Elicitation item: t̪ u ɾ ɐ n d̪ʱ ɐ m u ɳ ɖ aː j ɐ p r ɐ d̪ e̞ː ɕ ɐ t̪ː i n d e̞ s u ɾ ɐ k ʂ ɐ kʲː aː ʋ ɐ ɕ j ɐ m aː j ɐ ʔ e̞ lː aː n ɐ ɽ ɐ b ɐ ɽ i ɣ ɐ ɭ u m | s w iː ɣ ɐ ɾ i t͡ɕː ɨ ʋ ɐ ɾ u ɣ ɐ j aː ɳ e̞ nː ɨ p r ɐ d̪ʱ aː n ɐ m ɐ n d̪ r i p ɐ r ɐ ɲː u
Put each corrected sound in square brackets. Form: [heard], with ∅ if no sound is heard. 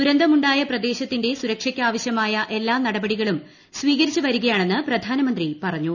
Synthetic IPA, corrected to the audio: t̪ u ɾ ɐ n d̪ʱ ɐ m u ɳ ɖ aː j ɐ p r ɐ d̪ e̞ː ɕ ɐ t̪ː i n d e̞ s u ɾ ɐ k ʂ ɐ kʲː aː ʋ ɐ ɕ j ɐ m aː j ɐ ʔ e̞ lː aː n ɐ ɽ ɐ b ɐ ɽ i ɣ ɐ ɭ u m | s [ʋ] iː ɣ ɐ ɾ i t͡ɕː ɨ ʋ ɐ ɾ u ɣ ɐ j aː ɳ e̞ nː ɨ p r ɐ d̪ʱ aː n ɐ m ɐ n d̪ r i p ɐ r ɐ ɲː u